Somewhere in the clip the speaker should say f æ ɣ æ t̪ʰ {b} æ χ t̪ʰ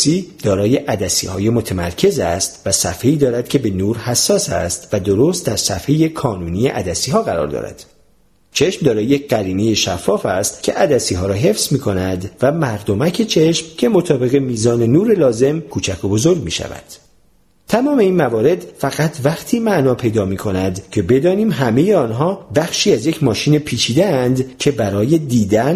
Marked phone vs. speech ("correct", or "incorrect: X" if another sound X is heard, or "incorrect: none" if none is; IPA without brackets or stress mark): incorrect: v